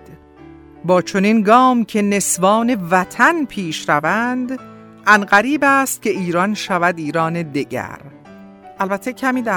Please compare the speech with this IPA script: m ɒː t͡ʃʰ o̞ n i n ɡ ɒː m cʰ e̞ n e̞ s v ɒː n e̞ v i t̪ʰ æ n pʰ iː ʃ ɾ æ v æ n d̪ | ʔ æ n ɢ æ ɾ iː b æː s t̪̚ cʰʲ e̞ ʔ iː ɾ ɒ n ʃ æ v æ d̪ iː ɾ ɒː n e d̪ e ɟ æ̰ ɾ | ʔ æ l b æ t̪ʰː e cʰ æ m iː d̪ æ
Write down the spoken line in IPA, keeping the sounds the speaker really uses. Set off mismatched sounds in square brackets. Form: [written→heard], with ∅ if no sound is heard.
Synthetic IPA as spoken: [m→b] ɒː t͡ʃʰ o̞ n i n ɡ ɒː m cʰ e̞ n e̞ s v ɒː n e̞ v [i→æ] t̪ʰ æ n pʰ iː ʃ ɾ æ v æ n d̪ | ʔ æ n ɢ æ ɾ iː b æː s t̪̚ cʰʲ e̞ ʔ iː ɾ ɒ n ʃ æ v æ d̪ iː ɾ ɒː n e d̪ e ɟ æ̰ ɾ | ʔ æ l b æ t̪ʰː e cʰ æ m iː d̪ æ